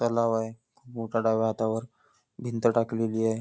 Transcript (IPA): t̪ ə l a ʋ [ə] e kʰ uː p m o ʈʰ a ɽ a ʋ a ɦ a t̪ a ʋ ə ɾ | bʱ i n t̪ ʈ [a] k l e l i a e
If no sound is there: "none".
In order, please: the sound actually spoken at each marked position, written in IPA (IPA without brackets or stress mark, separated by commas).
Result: a, a